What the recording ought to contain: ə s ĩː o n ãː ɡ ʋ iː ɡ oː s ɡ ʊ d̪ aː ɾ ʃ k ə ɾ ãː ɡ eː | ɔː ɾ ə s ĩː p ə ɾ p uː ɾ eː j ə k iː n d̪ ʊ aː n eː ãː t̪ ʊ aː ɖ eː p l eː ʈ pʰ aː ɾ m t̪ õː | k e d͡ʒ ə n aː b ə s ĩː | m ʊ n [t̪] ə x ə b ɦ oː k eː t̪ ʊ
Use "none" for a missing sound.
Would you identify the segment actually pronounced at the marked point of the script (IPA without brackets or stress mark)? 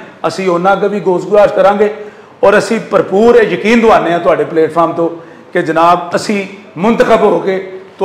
t̪